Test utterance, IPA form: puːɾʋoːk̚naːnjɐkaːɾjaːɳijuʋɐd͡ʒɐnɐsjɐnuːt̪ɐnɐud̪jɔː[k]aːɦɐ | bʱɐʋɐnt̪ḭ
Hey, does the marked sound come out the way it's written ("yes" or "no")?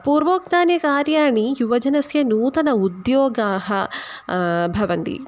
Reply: no